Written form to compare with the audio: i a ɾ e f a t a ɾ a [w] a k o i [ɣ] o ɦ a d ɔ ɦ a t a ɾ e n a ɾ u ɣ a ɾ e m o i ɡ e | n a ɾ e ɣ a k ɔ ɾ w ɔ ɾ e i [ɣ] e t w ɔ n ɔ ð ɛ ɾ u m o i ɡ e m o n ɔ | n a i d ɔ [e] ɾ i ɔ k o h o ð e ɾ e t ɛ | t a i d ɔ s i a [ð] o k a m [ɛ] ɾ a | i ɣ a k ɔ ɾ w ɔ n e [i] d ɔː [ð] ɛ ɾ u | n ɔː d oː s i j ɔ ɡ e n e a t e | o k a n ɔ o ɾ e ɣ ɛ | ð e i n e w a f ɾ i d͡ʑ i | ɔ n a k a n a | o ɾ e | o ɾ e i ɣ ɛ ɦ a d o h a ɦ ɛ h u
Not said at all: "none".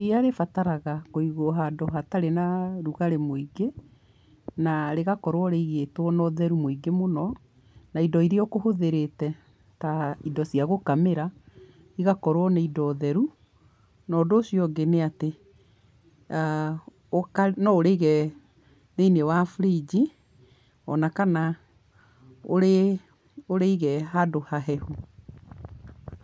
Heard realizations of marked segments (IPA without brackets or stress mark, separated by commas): ɣ, ɣ, ɣ, i, ɣ, e, i, ð